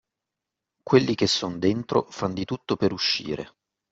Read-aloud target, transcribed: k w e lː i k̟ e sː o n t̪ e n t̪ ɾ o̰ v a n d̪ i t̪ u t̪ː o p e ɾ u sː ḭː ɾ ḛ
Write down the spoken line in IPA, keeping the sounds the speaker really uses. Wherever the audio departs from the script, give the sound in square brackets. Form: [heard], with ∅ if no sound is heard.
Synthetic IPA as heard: k w e lː i k̟ e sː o n [d̪] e n t̪ ɾ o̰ [f] a n d̪ i t̪ u t̪ː o p e ɾ u [ʃː] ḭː ɾ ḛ